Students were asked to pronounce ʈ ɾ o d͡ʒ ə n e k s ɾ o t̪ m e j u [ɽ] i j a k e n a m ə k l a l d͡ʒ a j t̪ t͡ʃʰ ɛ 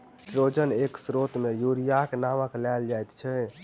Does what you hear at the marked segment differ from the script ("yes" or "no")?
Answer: yes